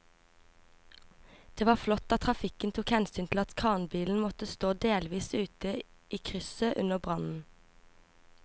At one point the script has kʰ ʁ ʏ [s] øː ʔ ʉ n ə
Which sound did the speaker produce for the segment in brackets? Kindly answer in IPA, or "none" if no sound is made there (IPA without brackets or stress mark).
s